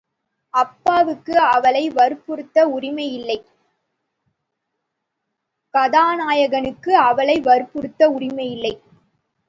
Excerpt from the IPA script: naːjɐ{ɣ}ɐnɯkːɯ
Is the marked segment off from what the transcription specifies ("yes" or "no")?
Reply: no